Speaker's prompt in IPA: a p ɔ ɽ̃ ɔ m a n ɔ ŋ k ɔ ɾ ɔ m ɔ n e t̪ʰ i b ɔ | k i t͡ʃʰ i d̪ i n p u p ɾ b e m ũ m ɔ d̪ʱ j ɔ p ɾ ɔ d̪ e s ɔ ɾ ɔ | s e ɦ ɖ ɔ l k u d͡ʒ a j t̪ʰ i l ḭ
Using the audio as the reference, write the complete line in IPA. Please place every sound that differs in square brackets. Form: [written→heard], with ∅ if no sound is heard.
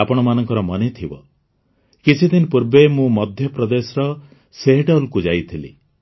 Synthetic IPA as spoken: a p ɔ ɽ̃ ɔ m a n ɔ ŋ k ɔ ɾ ɔ m ɔ n e t̪ʰ i b ɔ | k i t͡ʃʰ i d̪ i n p u [p→∅] ɾ b e m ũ m ɔ d̪ʱ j ɔ p ɾ ɔ d̪ e s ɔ ɾ ɔ | s e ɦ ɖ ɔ l k u d͡ʒ a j t̪ʰ i l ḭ